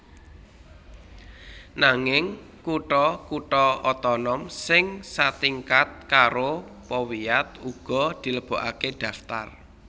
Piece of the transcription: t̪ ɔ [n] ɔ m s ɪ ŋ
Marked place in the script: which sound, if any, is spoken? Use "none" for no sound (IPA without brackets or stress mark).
n